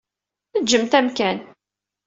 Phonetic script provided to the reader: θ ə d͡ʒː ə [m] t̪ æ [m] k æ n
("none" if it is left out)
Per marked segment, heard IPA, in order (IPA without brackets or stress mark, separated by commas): m, m